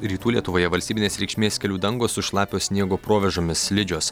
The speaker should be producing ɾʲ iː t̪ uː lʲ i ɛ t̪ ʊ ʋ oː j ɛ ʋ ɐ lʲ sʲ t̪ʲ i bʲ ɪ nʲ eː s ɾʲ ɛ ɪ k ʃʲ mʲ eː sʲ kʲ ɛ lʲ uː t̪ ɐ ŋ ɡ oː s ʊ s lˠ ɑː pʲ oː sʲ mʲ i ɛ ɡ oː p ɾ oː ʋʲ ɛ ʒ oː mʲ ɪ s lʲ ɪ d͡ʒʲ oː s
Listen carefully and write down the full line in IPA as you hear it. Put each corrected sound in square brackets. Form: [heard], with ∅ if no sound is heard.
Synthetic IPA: ɾʲ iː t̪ uː lʲ i ɛ t̪ ʊ ʋ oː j ɛ ʋ ɐ lʲ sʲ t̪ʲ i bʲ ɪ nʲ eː s ɾʲ ɛ ɪ k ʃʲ mʲ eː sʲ kʲ ɛ lʲ uː [d̪] ɐ ŋ ɡ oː s ʊ [ʃ] lˠ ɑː pʲ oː sʲ [nʲ] i ɛ ɡ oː p ɾ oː ʋʲ ɛ ʒ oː mʲ ɪ s lʲ ɪ d͡ʒʲ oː s

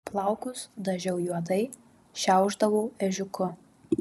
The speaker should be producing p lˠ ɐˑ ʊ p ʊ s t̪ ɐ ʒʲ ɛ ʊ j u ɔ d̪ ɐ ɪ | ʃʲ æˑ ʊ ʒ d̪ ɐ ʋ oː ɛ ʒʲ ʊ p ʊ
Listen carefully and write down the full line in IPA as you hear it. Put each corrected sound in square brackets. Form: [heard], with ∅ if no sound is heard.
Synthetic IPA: p lˠ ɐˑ ʊ [k] ʊ s [d̪] ɐ ʒʲ ɛ ʊ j u ɔ d̪ ɐ ɪ | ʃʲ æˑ ʊ ʒ d̪ ɐ ʋ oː ɛ ʒʲ ʊ [k] ʊ

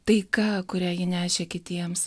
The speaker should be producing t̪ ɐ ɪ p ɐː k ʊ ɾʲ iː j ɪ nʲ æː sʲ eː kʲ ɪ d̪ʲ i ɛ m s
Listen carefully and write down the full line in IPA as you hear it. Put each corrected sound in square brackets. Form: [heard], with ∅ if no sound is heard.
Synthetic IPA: t̪ ɐ ɪ [k] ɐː k ʊ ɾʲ [æː] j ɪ nʲ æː [ʃʲ] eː kʲ ɪ [t̪ʲ] i ɛ m s

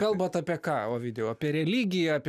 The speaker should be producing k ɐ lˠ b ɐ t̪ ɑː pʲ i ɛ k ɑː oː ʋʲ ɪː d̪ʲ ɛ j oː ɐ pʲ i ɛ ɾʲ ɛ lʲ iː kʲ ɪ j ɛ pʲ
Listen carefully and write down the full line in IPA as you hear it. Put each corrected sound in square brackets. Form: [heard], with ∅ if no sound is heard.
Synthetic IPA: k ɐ lˠ b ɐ t̪ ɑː pʲ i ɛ k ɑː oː ʋʲ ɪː d̪ʲ ɛ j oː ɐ pʲ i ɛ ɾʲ ɛ lʲ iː [ɡʲ] ɪ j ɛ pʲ

